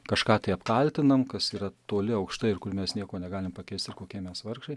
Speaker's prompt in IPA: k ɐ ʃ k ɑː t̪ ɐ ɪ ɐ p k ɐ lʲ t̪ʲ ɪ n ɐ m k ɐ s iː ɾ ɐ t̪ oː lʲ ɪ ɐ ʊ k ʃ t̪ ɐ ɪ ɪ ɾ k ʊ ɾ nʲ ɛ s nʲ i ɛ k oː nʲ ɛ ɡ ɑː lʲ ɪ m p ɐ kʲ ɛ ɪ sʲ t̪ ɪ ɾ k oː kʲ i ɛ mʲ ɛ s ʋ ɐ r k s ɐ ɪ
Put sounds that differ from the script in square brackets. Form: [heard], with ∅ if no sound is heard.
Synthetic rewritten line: k ɐ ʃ k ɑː t̪ ɐ ɪ ɐ p k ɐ lʲ t̪ʲ ɪ n ɐ m k ɐ s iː ɾ ɐ t̪ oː lʲ ɪ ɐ ʊ k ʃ t̪ ɐ ɪ ɪ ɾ k ʊ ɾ [mʲ] ɛ s nʲ i ɛ k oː nʲ ɛ ɡ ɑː lʲ ɪ m p ɐ kʲ ɛ ɪ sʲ t̪ ɪ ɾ k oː kʲ i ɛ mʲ ɛ s ʋ ɐ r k [ʃ] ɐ ɪ